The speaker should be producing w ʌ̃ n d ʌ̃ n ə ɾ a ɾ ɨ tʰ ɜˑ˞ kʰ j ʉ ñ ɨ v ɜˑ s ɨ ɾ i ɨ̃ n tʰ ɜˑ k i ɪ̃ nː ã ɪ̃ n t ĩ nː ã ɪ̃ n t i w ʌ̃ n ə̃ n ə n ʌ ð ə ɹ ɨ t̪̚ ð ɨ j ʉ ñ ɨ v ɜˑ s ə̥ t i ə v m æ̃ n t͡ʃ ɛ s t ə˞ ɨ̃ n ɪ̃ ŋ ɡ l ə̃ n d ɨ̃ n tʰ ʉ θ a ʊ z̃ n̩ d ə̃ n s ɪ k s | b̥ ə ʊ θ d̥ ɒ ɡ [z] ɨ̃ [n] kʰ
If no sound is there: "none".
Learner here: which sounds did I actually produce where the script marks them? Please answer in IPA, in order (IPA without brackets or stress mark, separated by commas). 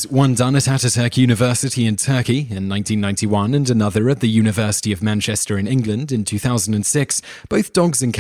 z, n